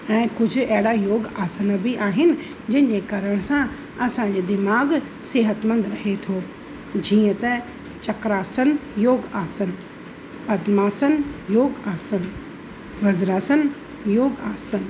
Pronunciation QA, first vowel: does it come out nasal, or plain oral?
nasal